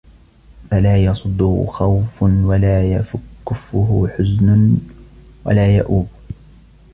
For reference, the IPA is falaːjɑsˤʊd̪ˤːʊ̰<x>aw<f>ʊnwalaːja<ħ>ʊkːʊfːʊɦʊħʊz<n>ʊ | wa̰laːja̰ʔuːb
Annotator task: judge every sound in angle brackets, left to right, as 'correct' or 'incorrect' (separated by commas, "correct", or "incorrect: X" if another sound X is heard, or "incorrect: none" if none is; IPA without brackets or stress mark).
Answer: correct, correct, incorrect: f, correct